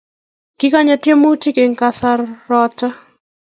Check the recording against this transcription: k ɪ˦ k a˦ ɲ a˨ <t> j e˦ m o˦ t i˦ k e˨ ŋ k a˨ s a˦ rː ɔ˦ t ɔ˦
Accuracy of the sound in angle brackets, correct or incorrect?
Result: correct